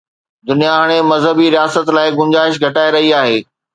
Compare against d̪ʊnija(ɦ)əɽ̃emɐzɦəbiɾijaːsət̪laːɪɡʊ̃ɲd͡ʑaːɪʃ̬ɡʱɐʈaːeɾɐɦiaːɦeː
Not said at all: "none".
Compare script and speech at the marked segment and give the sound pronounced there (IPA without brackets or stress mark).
ɦ